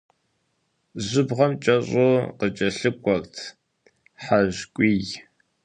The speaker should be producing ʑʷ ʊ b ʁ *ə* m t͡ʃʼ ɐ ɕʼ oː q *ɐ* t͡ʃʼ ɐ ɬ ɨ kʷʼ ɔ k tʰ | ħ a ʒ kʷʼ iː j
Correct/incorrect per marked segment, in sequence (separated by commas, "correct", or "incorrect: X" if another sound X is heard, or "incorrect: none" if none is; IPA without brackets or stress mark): incorrect: ɐ, incorrect: ə